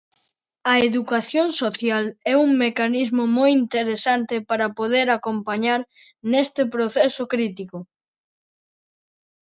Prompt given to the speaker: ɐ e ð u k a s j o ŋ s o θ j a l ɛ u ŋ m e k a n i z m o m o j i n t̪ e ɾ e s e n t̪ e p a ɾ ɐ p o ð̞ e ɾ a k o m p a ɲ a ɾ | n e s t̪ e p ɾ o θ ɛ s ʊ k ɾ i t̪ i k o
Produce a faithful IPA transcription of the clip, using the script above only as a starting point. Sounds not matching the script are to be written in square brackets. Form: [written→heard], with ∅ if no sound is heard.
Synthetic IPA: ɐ e ð u k a [s→θ] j o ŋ s o θ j a l ɛ u ŋ m e k a n i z m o m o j i n t̪ e ɾ e s [e→a] n t̪ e p a ɾ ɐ p o ð̞ e ɾ a k o m p a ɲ a ɾ | n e s t̪ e p ɾ o θ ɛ s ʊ k ɾ i t̪ i k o

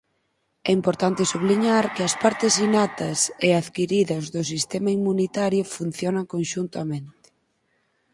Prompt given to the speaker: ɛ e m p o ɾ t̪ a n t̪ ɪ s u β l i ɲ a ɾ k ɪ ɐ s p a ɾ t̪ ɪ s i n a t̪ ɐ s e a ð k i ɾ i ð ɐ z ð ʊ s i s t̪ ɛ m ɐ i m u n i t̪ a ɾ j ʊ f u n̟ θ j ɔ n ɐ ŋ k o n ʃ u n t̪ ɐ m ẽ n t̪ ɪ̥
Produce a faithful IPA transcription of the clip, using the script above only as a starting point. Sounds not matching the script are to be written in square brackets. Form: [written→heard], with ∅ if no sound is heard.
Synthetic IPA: ɛ [e→i] m p o ɾ t̪ a n t̪ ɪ s u β l i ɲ a ɾ k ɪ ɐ s p a ɾ t̪ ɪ s i n a t̪ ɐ s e a ð k i ɾ i ð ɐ z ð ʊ s i s t̪ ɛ m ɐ i m u n i t̪ a ɾ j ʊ f u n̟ θ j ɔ n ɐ ŋ k o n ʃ u n t̪ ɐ m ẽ n t̪ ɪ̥

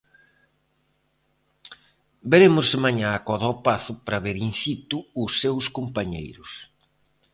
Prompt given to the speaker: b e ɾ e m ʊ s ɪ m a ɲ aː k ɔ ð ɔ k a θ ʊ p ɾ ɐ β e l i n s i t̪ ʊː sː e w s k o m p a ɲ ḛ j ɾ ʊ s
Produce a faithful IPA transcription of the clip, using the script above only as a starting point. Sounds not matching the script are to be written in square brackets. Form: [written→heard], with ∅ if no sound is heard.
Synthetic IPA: b e ɾ e m ʊ s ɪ m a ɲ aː k ɔ ð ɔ [k→p] a θ ʊ p ɾ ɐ β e [l→ɾ] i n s i t̪ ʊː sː e w s k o m p a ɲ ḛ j ɾ ʊ s

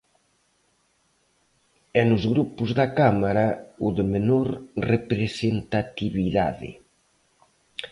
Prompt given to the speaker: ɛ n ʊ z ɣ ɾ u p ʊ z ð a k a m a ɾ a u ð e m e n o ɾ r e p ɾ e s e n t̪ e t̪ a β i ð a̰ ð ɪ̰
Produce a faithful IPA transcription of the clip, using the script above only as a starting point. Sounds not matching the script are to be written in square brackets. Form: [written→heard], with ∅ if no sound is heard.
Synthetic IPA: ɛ n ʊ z ɣ ɾ u p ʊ z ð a k a m a ɾ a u ð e m e n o ɾ r e p ɾ e s e n t̪ [e→a] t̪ [a→i] β i ð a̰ ð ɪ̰

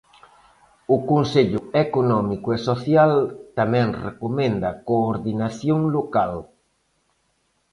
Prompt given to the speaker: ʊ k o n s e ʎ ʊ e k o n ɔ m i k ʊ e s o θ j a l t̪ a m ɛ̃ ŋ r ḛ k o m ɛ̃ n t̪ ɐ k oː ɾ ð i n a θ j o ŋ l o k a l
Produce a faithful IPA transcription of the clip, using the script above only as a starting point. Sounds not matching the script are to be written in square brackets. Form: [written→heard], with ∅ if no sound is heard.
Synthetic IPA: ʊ k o n s e ʎ ʊ e k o n ɔ m i k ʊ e s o θ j a l t̪ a m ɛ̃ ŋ r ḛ k o m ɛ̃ n [t̪→d̪] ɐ k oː ɾ ð i n a θ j o ŋ l o k a l

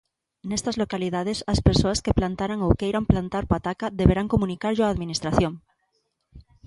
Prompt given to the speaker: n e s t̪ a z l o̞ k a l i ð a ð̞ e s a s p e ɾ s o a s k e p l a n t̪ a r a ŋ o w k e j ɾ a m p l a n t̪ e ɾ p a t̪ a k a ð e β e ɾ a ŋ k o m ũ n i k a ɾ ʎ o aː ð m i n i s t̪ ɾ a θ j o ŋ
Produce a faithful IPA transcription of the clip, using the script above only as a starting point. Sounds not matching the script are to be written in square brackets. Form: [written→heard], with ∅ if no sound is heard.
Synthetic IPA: n e s t̪ a z l o̞ k a l i ð a ð̞ e s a s p e ɾ s o a s k e p l a n t̪ a [r→ɾ] a ŋ o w k e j ɾ a m p l a n t̪ [e→a] ɾ p a t̪ a k a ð e β e ɾ a ŋ k o m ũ n i k a ɾ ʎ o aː ð m i n i s t̪ ɾ a θ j o ŋ

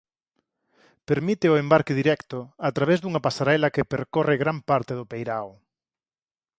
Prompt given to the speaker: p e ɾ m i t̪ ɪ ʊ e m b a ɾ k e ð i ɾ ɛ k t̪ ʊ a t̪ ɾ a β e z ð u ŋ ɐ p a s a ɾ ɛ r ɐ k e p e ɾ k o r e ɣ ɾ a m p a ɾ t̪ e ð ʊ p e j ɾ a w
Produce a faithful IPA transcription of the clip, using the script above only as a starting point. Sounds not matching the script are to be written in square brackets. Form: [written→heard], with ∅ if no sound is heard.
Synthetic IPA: p e ɾ m i t̪ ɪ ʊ e m b a ɾ k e ð i ɾ ɛ k t̪ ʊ a t̪ ɾ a β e z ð u ŋ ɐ p a s a ɾ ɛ [r→l] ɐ k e p e ɾ k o r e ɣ ɾ a m p a ɾ t̪ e ð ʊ p e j ɾ a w

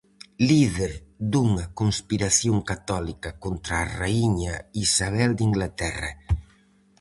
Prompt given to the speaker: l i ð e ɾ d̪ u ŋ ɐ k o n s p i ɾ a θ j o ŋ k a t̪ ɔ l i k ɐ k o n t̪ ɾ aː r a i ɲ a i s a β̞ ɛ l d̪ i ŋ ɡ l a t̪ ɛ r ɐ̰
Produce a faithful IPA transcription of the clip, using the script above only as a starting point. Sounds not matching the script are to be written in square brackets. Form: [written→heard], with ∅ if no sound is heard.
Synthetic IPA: l i ð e ɾ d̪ u ŋ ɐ k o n s p i ɾ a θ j o ŋ k a t̪ ɔ l i k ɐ k o n t̪ ɾ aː r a i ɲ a i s a β̞ ɛ l d̪ i ŋ ɡ l a t̪ ɛ r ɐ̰

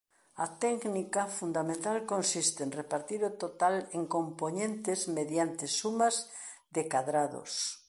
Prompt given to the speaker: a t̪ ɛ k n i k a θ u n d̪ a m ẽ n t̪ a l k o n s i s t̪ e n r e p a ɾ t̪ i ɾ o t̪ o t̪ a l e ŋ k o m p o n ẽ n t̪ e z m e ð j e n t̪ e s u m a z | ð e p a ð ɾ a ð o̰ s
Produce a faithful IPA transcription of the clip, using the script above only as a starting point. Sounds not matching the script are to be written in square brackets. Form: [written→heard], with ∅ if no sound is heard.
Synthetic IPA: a t̪ ɛ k n i k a [θ→f] u n d̪ a m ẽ n t̪ a l k o n s i s t̪ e n r e p a ɾ t̪ i ɾ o t̪ o t̪ a l e ŋ k o m p o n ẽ n t̪ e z m e ð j [e→a] n t̪ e s u m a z | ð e [p→k] a ð ɾ a ð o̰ s

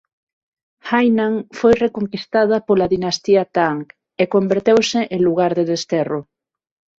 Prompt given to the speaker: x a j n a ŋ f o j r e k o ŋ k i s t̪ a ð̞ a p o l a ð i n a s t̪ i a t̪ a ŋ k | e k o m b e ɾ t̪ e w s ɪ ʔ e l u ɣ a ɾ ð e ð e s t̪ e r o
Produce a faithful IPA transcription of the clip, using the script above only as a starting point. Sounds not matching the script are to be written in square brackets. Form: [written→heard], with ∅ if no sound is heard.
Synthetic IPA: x a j n a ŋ f o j r e k o ŋ k i s t̪ a ð̞ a p o l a ð i n a s t̪ i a t̪ a ŋ k | e k o m b e ɾ t̪ e w s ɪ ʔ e l u ɣ a ɾ ð e ð e s t̪ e r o

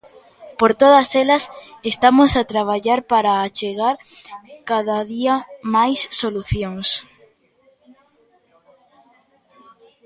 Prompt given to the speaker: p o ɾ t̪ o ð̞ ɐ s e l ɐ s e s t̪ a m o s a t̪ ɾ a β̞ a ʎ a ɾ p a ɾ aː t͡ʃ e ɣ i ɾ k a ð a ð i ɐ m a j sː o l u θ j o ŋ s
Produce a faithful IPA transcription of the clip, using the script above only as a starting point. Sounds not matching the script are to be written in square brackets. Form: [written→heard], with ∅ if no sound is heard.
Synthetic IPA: p o ɾ t̪ o ð̞ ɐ s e l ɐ s e s t̪ a m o s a t̪ ɾ a β̞ a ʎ a ɾ p a ɾ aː t͡ʃ e ɣ [i→a] ɾ k a ð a ð i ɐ m a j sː o l u θ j o ŋ s

